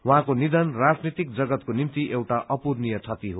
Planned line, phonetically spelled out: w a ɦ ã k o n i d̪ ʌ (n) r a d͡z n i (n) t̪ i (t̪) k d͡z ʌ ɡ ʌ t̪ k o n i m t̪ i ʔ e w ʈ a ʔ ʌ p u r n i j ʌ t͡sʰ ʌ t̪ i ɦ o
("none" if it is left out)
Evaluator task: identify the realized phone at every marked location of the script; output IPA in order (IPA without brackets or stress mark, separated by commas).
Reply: n, none, none